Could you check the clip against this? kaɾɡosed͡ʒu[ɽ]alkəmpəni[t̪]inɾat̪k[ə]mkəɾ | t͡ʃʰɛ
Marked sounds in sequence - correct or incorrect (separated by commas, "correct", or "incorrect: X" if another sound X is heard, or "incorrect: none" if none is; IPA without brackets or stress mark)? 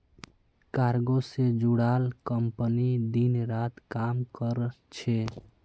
correct, incorrect: d̪, incorrect: a